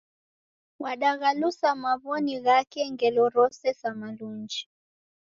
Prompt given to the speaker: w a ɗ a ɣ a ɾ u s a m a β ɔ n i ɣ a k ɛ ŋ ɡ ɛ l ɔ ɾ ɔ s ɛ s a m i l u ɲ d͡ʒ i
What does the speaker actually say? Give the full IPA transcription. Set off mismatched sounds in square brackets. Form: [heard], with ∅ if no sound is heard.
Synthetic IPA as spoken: w a ɗ a ɣ a [l] u s a m a β ɔ n i ɣ a k ɛ ŋ ɡ ɛ l ɔ ɾ ɔ s ɛ s a m [a] l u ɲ d͡ʒ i